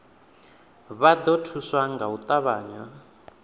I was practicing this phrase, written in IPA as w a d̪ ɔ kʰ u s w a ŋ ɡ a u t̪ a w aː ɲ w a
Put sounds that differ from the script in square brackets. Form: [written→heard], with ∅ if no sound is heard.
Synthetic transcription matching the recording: [w→β] a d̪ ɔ [kʰ→tʰ] u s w a ŋ ɡ a u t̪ a [w→β] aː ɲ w a